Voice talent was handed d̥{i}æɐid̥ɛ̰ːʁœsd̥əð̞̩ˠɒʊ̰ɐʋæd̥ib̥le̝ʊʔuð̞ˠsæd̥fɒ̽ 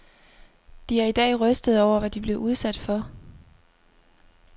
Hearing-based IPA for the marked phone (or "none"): i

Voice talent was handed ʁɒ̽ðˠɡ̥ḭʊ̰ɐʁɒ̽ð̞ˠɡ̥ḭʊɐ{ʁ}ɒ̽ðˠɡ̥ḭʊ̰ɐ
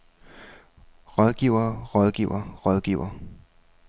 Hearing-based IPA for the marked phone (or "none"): ʁ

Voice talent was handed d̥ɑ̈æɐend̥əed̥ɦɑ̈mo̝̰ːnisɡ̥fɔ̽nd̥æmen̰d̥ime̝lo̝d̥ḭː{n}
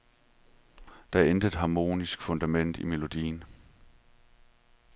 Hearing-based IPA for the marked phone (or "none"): n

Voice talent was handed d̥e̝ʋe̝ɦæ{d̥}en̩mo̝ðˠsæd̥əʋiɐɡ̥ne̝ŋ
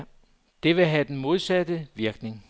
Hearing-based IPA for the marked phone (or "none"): d̥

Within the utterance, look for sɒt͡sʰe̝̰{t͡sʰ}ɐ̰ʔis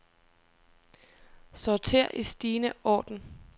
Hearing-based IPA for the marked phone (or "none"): none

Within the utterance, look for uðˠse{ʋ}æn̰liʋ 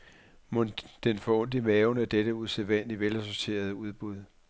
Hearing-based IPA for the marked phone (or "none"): ʋ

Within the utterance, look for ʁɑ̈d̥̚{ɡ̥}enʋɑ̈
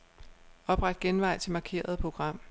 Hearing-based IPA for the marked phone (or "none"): ɡ̥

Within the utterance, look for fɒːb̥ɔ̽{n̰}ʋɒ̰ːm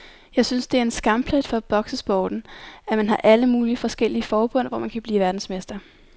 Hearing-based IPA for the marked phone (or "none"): n̰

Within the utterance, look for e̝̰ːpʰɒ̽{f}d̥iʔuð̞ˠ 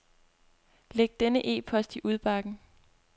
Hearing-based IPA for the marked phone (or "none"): s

